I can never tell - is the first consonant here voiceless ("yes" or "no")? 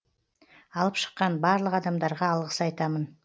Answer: no